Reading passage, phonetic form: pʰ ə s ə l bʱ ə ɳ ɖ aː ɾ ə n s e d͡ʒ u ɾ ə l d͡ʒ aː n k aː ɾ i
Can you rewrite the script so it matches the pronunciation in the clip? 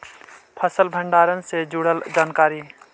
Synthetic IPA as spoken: pʰ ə s ə l bʱ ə ɳ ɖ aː ɾ ə n s e d͡ʒ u ɽ ə l d͡ʒ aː n k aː ɾ i